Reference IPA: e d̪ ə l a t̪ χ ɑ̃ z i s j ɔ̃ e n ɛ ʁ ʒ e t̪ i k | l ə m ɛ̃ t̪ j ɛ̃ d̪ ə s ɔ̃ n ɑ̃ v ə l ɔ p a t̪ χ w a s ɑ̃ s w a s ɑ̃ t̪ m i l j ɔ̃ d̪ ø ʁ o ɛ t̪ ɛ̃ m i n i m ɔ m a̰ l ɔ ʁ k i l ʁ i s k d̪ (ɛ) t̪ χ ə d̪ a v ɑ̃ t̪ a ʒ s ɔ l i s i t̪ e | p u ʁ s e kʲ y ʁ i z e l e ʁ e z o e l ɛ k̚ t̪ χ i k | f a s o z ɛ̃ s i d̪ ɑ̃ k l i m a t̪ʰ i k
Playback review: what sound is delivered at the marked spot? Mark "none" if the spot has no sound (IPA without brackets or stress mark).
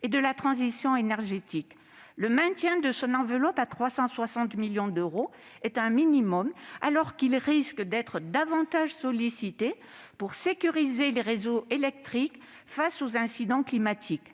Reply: ɛ